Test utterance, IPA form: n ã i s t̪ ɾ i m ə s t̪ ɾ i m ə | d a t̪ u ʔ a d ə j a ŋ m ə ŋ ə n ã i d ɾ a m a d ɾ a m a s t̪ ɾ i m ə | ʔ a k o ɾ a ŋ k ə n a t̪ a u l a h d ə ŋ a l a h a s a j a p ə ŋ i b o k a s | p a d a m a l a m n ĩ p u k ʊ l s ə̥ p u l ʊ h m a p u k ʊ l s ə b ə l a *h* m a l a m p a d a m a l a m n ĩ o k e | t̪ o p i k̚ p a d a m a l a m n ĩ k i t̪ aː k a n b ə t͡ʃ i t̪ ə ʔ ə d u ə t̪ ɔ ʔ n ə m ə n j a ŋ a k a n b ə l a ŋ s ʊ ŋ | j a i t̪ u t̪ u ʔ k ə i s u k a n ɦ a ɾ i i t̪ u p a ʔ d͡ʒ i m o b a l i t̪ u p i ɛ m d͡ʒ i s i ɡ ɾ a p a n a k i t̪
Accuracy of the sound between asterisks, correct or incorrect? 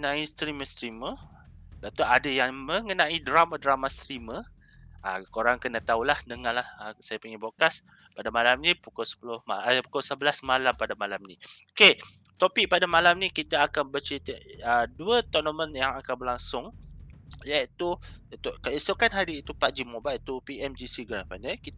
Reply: incorrect